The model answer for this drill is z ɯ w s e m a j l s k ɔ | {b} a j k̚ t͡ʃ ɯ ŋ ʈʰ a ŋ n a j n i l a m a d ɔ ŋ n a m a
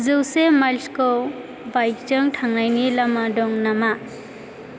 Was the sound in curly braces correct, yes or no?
yes